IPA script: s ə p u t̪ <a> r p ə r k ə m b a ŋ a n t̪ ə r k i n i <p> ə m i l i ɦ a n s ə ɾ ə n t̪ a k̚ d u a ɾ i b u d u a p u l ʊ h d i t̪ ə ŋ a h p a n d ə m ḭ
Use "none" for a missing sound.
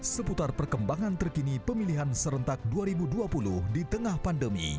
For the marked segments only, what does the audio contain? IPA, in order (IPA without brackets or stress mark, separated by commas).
a, p